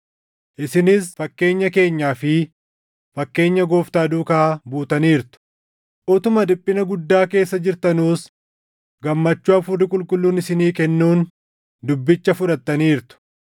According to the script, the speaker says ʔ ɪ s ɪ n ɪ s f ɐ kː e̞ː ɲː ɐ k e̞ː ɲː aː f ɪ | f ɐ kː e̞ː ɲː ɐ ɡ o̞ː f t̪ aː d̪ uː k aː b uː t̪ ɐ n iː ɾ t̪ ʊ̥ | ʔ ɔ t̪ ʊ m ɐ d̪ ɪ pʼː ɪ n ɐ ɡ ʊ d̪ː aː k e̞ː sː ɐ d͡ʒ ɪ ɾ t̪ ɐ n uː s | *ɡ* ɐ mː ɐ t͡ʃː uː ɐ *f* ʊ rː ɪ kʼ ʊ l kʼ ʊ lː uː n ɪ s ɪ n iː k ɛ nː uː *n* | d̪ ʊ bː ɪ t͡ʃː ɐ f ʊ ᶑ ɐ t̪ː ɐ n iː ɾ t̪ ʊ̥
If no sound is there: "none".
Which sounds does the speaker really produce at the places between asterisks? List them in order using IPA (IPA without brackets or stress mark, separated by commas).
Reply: ɡ, f, n